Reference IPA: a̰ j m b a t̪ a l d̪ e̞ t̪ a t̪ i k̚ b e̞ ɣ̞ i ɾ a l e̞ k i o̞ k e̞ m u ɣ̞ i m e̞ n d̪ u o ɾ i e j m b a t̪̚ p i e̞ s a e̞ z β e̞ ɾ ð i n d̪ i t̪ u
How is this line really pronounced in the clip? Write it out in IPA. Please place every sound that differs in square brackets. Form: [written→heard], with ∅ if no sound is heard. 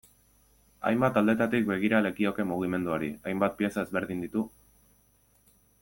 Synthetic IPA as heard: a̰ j m b a t̪ a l d̪ e̞ t̪ a t̪ i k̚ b e̞ ɣ̞ i ɾ a l e̞ k i o̞ k e̞ m u ɣ̞ i m e̞ n d̪ u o ɾ i [e→a] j m b a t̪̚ p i e̞ s a e̞ z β e̞ ɾ ð i n d̪ i t̪ u